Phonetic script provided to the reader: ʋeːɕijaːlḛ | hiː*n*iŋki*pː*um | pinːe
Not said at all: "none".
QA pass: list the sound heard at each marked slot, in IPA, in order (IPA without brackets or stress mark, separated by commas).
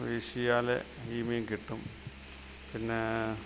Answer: m, ʈː